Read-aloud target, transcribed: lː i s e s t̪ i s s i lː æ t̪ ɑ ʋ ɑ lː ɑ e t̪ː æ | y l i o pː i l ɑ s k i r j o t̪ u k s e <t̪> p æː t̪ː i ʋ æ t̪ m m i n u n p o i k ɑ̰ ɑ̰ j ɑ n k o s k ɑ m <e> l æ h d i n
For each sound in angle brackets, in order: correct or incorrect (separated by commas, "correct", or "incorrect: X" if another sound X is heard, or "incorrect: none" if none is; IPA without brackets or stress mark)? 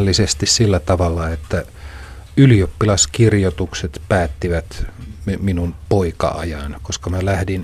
correct, incorrect: æ